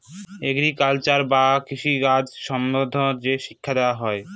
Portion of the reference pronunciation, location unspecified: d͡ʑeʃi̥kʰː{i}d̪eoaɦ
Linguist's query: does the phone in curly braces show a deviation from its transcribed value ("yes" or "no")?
yes